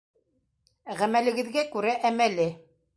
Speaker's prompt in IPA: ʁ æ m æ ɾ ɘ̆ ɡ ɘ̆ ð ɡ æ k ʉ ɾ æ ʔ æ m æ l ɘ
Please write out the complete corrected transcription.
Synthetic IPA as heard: ʁ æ m æ l ɘ̆ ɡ ɘ̆ ð ɡ æ k ʉ ɾ æ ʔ æ m æ l ɘ